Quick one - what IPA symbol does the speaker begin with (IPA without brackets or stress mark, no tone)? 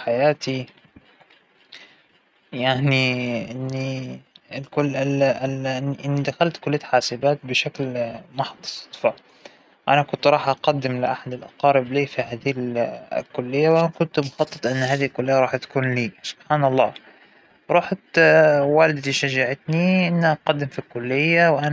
ħ